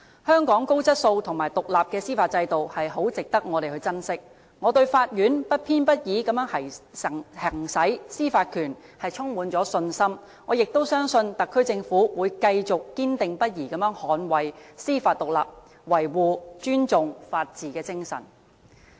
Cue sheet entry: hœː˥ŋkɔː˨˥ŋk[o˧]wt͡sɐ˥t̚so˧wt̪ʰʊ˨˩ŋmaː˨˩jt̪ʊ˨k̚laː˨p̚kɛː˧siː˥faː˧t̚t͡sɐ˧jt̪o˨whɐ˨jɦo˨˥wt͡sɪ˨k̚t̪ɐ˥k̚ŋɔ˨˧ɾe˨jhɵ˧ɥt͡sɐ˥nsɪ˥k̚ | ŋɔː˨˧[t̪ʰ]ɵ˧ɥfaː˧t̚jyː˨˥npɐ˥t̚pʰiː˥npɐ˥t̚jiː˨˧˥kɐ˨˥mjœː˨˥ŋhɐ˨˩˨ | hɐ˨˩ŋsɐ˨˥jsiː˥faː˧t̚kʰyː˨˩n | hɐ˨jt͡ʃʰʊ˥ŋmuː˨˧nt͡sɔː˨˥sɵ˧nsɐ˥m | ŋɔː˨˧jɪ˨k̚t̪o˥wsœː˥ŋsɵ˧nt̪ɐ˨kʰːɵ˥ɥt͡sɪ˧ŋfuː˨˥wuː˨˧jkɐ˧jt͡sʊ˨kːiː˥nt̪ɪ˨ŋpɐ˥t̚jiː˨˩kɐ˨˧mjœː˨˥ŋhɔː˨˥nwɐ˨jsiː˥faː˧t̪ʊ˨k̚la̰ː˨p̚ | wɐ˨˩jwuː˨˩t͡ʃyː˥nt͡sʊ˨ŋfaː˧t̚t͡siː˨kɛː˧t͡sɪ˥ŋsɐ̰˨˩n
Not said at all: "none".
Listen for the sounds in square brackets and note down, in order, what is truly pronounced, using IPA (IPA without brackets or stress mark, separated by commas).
o˥, t̪